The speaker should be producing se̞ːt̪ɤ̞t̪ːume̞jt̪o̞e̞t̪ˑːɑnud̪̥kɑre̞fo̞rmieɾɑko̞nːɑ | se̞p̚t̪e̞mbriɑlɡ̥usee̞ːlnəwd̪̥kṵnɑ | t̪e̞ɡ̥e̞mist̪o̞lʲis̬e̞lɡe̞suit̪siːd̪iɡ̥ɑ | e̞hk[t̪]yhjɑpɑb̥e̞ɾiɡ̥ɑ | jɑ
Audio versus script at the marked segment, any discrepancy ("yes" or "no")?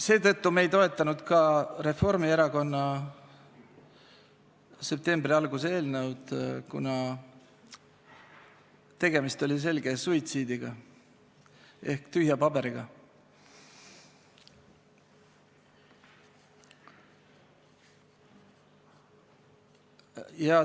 no